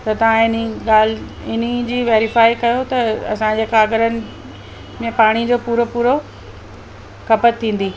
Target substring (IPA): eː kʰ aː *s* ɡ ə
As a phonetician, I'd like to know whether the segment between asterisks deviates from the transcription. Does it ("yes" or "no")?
yes